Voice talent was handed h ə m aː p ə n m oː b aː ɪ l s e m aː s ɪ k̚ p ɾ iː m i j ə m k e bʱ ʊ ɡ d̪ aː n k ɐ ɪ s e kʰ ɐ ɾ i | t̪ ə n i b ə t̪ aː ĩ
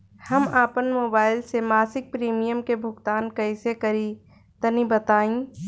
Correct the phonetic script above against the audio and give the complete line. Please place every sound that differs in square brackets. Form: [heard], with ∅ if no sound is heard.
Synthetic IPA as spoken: h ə m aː p ə n m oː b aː ɪ l s e m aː s ɪ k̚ p ɾ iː m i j ə m k e bʱ ʊ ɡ [t̪] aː n k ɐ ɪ s e [k] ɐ ɾ i | t̪ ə n i b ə t̪ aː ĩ